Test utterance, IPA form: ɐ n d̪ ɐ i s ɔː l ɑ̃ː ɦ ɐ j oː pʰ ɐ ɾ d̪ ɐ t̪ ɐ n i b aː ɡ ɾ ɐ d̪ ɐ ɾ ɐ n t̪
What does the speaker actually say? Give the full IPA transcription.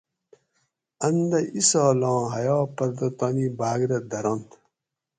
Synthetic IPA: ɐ n d̪ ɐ i s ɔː l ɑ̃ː ɦ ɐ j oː p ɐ ɾ d̪ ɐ t̪ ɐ n i b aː ɡ ɾ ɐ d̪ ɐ ɾ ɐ n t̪